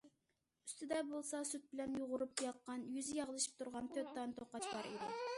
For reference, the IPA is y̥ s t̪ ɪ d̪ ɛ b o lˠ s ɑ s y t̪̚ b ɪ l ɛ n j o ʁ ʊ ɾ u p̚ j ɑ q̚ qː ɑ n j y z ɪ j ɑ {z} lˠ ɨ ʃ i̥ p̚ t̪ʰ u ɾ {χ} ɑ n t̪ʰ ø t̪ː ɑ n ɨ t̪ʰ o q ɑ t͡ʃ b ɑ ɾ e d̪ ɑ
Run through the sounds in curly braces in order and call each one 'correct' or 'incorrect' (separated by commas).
incorrect, incorrect